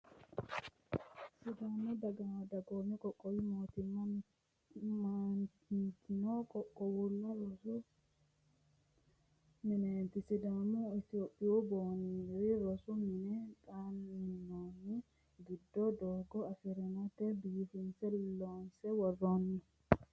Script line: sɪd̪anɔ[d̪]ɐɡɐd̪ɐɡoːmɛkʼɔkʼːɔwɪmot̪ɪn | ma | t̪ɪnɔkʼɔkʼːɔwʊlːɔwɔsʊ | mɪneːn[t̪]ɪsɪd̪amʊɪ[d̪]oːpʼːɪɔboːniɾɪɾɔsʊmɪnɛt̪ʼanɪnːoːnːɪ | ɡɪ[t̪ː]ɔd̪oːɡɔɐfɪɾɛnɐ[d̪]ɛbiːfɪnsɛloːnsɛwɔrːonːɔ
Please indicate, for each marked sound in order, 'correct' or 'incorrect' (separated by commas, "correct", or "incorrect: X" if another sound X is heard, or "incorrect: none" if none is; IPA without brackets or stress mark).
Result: correct, correct, incorrect: t̪, incorrect: d̪ː, incorrect: t̪